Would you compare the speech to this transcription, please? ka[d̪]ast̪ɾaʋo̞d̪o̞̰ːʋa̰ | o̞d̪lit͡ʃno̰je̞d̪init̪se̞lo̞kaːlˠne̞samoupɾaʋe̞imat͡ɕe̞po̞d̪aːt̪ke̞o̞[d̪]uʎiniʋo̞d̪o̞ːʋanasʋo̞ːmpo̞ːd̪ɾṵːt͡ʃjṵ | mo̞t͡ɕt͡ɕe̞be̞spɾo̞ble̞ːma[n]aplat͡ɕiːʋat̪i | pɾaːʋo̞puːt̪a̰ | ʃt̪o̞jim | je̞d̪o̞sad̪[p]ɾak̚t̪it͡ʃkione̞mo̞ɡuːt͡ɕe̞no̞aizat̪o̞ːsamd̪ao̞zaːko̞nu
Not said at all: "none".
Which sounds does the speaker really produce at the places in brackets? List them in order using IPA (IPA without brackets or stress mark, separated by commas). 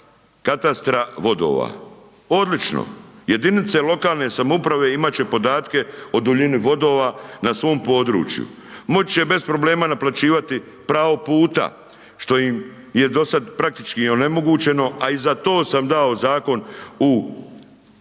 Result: t̪, d̪, n, p